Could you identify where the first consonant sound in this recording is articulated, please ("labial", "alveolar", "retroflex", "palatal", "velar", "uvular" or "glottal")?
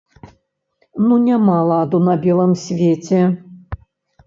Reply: alveolar